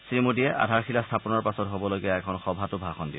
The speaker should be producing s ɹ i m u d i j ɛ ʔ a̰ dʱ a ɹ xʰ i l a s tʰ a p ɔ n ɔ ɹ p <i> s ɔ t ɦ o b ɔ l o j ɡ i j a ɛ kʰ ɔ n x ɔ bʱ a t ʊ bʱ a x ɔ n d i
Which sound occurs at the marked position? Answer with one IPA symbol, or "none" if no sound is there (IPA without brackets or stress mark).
a